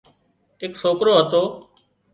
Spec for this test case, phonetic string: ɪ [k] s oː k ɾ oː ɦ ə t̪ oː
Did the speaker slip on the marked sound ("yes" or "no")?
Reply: no